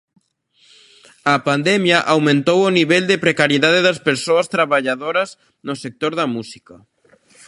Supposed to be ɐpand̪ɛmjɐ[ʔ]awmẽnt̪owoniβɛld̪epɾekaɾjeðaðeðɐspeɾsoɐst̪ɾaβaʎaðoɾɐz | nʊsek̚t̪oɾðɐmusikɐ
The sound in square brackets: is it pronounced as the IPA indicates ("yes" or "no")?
yes